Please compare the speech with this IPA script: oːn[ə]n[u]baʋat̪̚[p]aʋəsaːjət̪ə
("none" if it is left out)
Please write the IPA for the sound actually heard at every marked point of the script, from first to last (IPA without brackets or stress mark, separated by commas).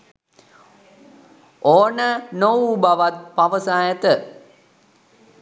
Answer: ə, o, p